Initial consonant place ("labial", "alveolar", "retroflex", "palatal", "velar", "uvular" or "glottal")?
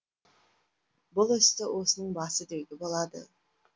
labial